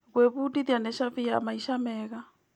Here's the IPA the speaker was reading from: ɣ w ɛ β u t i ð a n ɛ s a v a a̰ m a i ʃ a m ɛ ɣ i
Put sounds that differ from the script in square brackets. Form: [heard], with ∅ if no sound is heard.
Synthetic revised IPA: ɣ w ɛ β u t i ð a n ɛ [ʃ] a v [i] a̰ m a i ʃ a m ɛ ɣ [a]